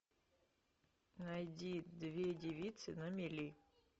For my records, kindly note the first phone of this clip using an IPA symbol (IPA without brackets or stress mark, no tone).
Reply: n